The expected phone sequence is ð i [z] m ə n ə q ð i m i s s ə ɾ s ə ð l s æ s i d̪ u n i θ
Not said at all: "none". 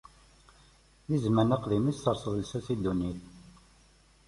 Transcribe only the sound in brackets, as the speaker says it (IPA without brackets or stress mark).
z